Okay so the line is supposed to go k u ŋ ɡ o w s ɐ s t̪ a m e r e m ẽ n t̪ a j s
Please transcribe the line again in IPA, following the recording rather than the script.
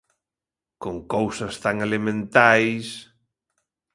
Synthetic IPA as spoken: k o ŋ k o w s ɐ s t̪ a ŋ e l e m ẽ n t̪ a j s